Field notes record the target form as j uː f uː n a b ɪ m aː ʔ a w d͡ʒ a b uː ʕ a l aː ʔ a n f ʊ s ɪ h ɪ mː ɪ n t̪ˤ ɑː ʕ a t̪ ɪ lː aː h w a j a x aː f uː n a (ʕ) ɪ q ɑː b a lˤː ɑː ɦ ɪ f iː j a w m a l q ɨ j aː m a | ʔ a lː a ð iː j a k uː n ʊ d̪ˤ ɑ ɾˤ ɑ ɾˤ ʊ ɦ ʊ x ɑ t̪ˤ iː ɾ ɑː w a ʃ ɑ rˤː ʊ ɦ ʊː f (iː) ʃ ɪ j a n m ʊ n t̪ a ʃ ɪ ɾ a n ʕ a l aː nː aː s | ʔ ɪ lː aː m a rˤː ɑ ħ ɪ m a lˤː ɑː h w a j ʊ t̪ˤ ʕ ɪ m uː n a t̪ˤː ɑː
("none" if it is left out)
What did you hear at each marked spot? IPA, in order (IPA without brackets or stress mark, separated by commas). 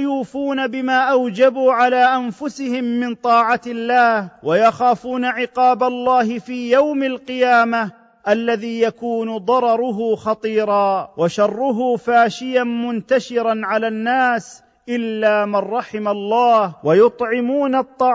ʕ, aː